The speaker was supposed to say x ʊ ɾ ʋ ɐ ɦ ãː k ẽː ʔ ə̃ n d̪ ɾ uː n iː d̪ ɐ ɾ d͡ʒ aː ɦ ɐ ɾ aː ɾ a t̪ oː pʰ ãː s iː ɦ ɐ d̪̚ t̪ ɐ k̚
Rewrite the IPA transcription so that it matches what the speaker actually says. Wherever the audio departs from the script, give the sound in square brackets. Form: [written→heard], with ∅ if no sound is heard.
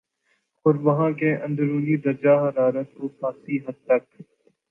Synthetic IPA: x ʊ ɾ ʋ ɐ ɦ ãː k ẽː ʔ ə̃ n d̪ ɾ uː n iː d̪ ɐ ɾ d͡ʒ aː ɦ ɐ ɾ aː ɾ [a→ə] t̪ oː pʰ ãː s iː ɦ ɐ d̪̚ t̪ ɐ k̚